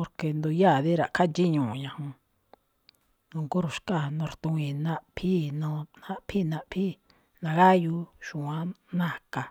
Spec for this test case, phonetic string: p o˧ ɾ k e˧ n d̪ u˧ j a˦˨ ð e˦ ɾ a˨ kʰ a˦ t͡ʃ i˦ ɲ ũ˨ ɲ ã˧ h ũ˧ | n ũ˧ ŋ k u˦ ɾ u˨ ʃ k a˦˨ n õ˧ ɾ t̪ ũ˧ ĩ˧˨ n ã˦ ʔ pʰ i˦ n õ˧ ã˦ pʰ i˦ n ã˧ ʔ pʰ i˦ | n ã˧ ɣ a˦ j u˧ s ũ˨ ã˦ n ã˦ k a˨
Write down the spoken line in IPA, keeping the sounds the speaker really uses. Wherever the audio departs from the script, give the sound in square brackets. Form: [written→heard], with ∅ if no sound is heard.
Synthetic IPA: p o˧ ɾ k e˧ n d̪ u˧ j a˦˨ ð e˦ ɾ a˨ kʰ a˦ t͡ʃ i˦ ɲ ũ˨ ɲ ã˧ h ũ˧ | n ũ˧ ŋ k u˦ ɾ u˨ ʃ k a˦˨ n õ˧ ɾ t̪ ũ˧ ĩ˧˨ n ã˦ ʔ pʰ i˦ n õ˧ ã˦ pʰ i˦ n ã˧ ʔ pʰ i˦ | n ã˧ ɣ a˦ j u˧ [s→ʃ] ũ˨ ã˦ n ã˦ k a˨

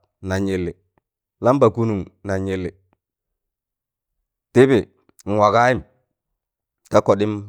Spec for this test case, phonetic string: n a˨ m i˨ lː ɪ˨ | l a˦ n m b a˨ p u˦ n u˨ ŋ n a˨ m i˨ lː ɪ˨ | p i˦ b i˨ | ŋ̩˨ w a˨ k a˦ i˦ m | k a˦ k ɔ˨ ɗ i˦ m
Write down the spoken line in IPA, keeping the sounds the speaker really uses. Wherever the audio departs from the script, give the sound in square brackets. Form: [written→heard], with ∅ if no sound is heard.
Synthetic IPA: n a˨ [m→ɲ] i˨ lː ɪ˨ | l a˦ [n→∅] m b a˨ [p→k] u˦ n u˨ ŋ n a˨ [m→ɲ] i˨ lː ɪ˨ | [p→t] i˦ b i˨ | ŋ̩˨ w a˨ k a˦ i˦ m | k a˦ k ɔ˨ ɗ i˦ m

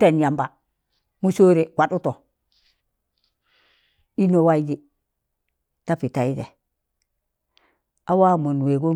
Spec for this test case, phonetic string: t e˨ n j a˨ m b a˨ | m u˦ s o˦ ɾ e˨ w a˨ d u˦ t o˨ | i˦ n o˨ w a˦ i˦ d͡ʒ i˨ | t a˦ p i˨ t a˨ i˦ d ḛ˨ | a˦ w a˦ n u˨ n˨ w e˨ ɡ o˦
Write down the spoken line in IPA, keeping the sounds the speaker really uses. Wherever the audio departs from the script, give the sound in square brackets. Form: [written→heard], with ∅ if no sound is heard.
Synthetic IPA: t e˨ n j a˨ m b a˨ | m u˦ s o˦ ɾ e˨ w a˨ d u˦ t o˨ | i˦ n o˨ w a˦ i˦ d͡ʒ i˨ | t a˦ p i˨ t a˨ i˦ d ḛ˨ | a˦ w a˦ [n→m] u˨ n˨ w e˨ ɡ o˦

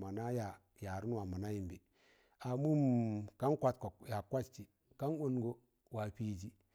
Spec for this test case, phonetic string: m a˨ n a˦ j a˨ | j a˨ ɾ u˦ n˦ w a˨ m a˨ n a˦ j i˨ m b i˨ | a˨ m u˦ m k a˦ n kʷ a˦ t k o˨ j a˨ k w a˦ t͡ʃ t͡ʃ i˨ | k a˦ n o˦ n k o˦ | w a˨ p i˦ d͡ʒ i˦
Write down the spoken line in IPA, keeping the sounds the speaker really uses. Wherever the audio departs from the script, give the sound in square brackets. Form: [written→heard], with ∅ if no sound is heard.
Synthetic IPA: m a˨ n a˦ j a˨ | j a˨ ɾ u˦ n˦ w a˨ m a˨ n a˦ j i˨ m b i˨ | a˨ m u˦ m k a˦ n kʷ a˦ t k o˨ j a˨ k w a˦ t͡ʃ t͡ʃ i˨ | k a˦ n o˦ n [k→ɡ] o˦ | w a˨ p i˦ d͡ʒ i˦

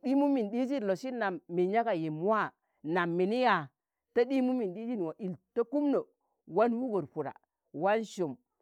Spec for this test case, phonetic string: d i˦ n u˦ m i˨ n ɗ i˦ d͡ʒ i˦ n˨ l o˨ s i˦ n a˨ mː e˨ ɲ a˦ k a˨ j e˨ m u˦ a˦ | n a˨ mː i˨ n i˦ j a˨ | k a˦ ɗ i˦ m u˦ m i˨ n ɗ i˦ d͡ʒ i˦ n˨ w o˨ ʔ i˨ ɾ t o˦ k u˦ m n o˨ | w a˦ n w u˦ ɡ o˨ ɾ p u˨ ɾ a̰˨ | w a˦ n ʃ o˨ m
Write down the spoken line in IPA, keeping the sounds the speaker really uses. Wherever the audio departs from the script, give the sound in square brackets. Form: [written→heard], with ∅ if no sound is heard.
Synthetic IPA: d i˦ [n→m] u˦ m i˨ n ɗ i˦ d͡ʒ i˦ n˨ l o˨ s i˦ n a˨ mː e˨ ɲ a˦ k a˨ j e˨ m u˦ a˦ | n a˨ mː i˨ n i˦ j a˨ | [k→t] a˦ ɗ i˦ m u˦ m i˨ n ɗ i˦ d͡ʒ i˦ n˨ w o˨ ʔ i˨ [ɾ→l] t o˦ k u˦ m n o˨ | w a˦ n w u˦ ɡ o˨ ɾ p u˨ ɾ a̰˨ | w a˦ n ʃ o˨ m

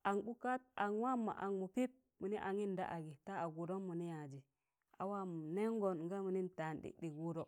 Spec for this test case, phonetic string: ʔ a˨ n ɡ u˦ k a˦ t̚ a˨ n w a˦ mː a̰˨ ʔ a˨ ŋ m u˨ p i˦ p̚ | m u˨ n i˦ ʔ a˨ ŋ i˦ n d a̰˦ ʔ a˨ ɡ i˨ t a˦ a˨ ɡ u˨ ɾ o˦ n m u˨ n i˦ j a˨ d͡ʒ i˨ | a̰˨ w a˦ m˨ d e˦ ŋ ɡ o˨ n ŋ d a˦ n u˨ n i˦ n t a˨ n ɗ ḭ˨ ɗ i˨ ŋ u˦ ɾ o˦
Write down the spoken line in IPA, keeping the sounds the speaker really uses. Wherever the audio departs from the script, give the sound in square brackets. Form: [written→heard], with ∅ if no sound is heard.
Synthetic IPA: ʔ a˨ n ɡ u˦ k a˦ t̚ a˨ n w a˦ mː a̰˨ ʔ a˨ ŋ m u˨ p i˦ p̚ | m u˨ n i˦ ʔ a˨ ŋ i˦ n d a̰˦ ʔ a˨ ɡ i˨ t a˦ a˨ ɡ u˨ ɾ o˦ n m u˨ n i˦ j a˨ d͡ʒ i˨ | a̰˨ w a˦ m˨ [d→n] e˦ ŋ ɡ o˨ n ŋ [d→ɡ] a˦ [n→m] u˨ n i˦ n t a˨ n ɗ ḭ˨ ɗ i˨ [ŋ→ɡ] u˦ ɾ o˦

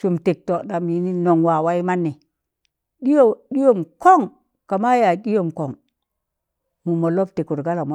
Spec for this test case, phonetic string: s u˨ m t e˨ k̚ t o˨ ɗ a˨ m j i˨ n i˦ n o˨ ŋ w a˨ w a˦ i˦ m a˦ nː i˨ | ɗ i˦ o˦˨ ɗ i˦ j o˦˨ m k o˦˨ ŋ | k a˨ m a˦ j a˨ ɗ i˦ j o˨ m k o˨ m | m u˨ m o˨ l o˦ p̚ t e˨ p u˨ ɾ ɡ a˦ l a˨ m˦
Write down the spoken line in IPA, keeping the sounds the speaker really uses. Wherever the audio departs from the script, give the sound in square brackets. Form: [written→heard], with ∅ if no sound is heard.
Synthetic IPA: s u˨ m t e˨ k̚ t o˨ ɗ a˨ m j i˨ n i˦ n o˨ ŋ w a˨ w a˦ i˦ m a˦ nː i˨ | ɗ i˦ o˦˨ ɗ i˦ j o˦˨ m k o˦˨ ŋ | k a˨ m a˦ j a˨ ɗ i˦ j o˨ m k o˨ [m→ŋ] | m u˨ m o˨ l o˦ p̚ t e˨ [p→k] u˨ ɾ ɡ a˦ l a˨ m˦

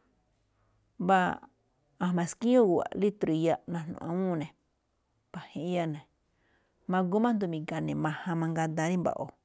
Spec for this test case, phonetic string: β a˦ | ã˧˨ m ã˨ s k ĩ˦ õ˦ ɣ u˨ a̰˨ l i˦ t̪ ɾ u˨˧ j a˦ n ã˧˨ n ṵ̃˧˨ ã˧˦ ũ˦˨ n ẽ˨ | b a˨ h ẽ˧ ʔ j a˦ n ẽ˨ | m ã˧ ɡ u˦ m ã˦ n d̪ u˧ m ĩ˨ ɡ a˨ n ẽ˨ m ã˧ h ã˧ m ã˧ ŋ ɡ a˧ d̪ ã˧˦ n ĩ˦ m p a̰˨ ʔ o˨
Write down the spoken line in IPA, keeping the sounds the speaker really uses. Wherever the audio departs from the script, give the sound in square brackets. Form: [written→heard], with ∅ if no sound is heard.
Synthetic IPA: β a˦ | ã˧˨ m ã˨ s k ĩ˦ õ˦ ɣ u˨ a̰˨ l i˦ t̪ ɾ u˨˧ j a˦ n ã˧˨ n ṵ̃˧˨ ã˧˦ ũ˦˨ n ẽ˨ | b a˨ h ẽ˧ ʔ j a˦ n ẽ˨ | m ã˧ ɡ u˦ m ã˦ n d̪ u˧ m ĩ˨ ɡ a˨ n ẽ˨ m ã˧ h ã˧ m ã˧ ŋ ɡ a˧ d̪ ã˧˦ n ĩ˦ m [p→b] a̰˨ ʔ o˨

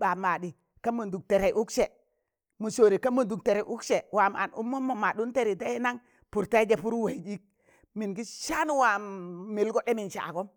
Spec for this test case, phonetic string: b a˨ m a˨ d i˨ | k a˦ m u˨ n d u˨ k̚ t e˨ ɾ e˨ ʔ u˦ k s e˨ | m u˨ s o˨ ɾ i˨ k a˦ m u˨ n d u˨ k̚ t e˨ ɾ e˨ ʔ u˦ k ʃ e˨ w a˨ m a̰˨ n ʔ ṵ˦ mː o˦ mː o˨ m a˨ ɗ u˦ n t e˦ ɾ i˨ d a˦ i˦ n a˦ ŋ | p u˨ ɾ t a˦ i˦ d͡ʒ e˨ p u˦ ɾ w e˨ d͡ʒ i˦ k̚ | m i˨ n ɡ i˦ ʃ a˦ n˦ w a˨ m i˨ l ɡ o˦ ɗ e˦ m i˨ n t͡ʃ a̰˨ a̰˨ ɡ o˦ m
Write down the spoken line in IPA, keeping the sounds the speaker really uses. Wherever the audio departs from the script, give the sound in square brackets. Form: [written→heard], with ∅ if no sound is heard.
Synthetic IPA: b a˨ m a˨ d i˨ | k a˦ m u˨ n d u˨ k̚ t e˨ ɾ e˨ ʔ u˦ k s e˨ | m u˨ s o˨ ɾ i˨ k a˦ m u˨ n d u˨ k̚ t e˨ ɾ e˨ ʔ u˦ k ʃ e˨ w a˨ m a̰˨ n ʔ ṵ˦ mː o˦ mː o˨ m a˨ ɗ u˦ n t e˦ ɾ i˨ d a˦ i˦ n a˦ ŋ | p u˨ ɾ t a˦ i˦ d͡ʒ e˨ p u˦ ɾ w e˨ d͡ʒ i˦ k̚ | m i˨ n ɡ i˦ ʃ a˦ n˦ w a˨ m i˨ l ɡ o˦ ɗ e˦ m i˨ n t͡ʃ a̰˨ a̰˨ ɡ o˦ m

